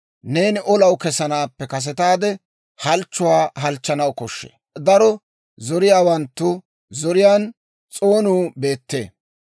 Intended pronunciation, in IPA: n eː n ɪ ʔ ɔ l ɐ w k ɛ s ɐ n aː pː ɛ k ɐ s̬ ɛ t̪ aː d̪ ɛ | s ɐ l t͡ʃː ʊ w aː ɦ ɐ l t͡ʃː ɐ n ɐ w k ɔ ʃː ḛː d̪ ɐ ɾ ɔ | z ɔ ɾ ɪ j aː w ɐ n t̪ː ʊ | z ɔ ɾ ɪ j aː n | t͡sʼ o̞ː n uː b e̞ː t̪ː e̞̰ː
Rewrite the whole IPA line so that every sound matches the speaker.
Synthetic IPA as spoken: n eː n ɪ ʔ ɔ l ɐ w k ɛ s ɐ n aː pː ɛ k ɐ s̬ ɛ t̪ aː d̪ ɛ | h ɐ l t͡ʃː ʊ w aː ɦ ɐ l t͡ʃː ɐ n ɐ w k ɔ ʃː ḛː d̪ ɐ ɾ ɔ | z ɔ ɾ ɪ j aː w ɐ n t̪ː ʊ | z ɔ ɾ ɪ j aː n | t͡sʼ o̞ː n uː b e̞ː t̪ː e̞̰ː